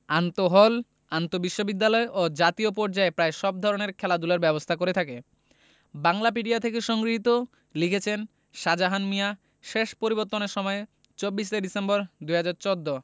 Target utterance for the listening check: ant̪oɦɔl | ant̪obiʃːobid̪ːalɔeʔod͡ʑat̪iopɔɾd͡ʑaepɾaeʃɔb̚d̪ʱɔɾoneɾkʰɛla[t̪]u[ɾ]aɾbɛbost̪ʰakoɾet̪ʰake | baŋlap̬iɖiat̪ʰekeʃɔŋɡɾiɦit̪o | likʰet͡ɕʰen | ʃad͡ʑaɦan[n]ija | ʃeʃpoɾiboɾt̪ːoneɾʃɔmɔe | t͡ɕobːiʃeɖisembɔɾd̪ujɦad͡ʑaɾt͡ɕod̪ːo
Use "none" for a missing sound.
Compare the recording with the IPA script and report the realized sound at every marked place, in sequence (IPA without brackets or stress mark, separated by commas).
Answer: d̪, l, m